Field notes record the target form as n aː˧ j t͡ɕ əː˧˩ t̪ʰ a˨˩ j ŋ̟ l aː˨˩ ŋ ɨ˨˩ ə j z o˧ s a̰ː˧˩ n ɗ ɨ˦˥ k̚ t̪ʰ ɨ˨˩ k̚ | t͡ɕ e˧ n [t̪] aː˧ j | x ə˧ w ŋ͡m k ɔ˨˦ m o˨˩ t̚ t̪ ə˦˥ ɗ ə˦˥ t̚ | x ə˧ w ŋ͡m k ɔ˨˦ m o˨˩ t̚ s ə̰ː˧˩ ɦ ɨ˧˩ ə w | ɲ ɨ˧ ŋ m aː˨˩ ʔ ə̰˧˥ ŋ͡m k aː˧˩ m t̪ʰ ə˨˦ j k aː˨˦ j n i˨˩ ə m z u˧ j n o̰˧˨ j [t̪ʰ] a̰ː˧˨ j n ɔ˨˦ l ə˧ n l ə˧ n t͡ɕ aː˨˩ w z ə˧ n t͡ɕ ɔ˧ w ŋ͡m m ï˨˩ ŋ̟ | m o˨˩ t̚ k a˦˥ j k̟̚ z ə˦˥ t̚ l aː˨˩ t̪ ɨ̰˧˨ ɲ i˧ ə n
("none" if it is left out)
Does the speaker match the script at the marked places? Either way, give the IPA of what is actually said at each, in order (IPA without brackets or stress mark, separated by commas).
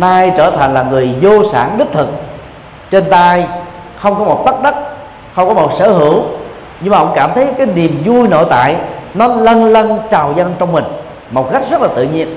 t̪, t̪